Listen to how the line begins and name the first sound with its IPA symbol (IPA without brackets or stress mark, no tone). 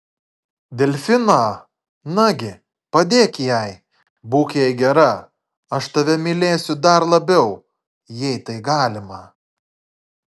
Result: d̪ʲ